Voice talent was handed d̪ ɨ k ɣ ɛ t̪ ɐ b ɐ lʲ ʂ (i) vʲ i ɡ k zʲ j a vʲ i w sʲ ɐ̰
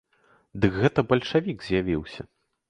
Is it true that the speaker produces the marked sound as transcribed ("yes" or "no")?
no